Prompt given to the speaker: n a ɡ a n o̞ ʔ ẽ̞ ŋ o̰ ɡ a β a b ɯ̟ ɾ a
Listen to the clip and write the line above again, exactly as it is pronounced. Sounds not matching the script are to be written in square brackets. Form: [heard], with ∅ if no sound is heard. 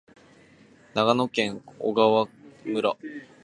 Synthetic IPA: n a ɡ a n o̞ [k] ẽ̞ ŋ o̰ ɡ a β a [m] ɯ̟ ɾ a